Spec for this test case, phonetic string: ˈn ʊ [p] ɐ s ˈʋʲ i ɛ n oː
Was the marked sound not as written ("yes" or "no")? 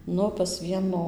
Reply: no